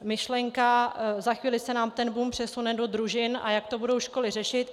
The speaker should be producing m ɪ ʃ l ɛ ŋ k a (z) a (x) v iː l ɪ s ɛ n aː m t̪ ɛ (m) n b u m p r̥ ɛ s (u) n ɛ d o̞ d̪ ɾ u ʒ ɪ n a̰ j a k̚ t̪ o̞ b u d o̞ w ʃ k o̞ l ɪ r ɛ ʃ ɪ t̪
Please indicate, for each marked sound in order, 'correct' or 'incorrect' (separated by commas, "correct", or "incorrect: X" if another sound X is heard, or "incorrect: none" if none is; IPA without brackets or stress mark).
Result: correct, correct, incorrect: none, correct